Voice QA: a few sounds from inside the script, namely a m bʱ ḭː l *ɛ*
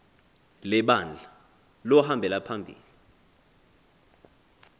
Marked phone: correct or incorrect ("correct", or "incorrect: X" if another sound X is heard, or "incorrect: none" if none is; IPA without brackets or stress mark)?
incorrect: i